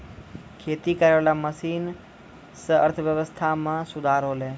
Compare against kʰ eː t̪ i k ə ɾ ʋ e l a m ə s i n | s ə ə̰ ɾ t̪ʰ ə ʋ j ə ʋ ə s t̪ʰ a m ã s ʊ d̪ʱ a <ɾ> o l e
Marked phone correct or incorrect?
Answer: correct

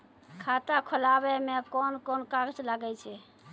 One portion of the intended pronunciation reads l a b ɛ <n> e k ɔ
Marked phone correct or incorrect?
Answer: incorrect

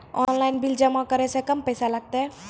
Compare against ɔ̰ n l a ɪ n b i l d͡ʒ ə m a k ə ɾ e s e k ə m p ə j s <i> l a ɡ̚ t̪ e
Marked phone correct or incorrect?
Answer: incorrect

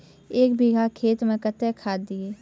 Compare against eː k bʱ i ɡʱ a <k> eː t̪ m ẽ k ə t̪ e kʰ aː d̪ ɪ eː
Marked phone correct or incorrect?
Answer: incorrect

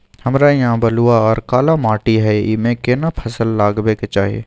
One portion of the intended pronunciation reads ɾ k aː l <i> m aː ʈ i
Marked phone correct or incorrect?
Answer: incorrect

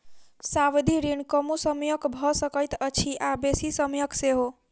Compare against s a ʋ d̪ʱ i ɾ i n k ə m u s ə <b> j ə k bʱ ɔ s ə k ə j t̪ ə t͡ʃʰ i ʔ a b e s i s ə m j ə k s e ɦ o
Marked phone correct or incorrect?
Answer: incorrect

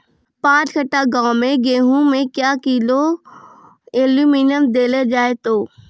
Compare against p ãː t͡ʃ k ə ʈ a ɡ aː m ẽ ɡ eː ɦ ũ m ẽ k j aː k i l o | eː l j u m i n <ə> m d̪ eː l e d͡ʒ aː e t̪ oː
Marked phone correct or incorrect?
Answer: correct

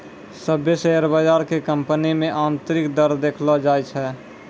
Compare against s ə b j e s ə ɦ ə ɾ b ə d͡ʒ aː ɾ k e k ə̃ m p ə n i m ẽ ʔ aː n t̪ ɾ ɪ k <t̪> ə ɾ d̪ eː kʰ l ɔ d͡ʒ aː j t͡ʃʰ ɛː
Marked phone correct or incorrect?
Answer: incorrect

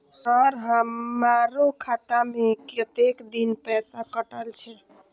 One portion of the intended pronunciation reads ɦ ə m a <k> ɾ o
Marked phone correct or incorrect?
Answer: incorrect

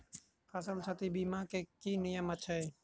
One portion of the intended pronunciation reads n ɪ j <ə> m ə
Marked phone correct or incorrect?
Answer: correct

